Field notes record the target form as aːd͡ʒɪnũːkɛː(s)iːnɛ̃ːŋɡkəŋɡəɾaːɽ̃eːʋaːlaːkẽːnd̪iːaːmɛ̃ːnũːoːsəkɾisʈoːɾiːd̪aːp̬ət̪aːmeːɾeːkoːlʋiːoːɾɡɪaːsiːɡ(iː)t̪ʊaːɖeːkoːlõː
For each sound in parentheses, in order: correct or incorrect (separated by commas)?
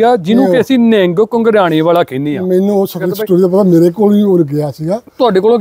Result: correct, incorrect